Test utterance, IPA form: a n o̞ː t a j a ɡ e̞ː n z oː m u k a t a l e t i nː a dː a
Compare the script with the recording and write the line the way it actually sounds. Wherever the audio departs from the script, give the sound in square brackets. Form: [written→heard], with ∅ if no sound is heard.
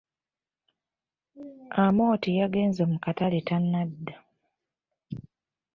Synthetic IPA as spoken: a [n→m] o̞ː t [a→i] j a ɡ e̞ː n z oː m u k a t a l e t [i→a] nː a dː a

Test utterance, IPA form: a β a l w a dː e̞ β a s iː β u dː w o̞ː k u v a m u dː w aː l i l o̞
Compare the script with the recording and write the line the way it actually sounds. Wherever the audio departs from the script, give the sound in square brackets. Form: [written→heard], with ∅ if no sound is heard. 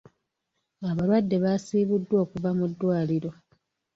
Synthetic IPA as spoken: a β a l w a dː e̞ β a s iː β u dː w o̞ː k u v a m u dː w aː l i [l→ɾ] o̞

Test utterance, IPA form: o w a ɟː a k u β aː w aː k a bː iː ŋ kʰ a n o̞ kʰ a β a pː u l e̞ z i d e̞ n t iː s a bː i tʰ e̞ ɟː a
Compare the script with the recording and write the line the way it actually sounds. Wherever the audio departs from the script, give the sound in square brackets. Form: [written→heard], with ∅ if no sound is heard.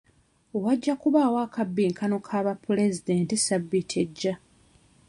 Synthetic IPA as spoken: o w a ɟː a k u β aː w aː k a bː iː ŋ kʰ a n o̞ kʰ a β a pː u l e̞ z i d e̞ n t [iː→i] s a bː i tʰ e̞ ɟː a

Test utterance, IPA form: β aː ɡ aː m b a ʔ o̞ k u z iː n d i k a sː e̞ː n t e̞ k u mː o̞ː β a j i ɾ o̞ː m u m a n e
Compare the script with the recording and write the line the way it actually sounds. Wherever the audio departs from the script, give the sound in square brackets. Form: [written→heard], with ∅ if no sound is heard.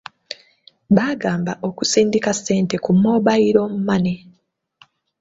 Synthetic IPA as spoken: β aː ɡ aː m b a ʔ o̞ k u [z→s] iː n d i k a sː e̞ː n t e̞ k u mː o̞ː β a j i ɾ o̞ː m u m a n e

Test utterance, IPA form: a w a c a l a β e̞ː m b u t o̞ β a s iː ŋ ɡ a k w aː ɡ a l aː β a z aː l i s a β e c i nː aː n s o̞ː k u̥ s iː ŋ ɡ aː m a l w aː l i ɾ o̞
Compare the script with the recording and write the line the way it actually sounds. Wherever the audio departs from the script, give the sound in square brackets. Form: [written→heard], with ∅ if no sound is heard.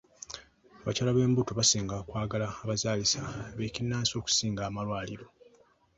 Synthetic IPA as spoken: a [w→β] a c a l a β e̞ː m b u t o̞ β a s iː ŋ ɡ a k w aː ɡ a l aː β a z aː l i s a β e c i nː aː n s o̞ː k u̥ s iː ŋ ɡ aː m a l w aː l i ɾ o̞

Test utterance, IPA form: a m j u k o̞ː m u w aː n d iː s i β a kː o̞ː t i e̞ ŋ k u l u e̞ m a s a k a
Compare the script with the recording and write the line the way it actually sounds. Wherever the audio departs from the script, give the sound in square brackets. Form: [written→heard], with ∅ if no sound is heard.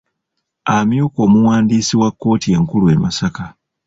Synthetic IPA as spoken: a m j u k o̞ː m u w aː n d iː s i [β→w] a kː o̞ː t i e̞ ŋ k u l u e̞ m a s a k a

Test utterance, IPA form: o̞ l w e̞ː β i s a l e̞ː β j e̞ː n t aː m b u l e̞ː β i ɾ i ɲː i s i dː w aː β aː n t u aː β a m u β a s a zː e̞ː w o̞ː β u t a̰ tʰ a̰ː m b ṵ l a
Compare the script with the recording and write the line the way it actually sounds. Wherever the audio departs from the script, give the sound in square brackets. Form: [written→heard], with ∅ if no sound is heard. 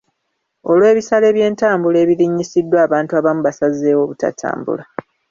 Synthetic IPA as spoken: o̞ l w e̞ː β i s a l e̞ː β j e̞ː n t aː m b u l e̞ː β i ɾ i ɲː i s i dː w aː β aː n t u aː β a m u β a s a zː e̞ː w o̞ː β u t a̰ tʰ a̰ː m b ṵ l a

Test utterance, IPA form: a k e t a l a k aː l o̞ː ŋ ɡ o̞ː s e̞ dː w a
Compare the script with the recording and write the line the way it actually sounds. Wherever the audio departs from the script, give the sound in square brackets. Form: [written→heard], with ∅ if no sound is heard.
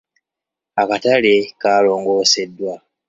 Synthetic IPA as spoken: a k [e→a] t a l [a→e] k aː l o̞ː ŋ ɡ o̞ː s e̞ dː w a

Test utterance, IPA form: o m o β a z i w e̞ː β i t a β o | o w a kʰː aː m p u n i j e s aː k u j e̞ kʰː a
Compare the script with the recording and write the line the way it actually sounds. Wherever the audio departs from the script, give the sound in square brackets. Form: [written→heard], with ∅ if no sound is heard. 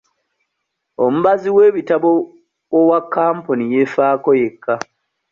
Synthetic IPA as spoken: o m [o→u] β a z i w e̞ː β i t a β o | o w a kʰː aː m p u n i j e [s→f] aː k [u→o] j e̞ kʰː a

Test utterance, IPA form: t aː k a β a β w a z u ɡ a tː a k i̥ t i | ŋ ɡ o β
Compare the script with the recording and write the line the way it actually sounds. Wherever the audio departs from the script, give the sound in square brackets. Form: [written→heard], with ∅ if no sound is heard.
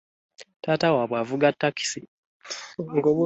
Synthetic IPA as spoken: t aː [k→t] a [β→w] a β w a [z→v] u ɡ a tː a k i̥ [t→s] i | ŋ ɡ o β

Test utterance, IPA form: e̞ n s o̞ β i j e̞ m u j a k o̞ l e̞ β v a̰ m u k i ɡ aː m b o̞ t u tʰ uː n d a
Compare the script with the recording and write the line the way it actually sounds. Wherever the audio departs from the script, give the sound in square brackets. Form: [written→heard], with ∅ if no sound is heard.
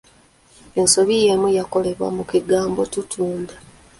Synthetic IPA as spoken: e̞ n s o̞ β i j e̞ m u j a k o̞ l e̞ β [v→w] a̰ m u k i ɡ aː m b o̞ t u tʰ uː n d a

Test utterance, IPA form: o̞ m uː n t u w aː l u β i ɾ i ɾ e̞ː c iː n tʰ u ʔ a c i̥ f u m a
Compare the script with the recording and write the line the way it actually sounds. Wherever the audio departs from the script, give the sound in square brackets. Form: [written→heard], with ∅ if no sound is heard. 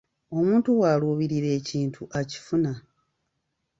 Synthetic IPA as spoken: o̞ m uː n t u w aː l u β i ɾ i ɾ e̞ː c iː n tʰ u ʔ a c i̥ f u [m→n] a

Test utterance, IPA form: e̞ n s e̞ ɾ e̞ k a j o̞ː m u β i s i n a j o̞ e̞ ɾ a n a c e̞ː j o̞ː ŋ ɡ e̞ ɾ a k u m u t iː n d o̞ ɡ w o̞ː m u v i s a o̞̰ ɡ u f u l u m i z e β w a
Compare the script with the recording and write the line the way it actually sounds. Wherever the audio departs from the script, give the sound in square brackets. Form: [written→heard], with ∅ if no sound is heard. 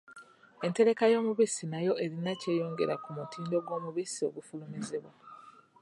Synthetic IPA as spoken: e̞ n [s→t] e̞ ɾ e̞ k a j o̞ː m u β i s i n a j o̞ e̞ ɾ [a→i] n a c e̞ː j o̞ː ŋ ɡ e̞ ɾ a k u m u t iː n d o̞ ɡ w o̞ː m u [v→β] i s [a→i] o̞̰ ɡ u f u l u m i z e β w a

